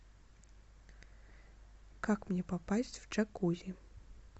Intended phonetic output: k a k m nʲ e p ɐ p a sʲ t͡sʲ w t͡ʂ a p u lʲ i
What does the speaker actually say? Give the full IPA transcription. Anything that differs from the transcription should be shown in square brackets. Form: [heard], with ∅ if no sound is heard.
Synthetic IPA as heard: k a k m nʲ [ɛ] p [a] p a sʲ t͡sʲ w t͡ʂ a [k] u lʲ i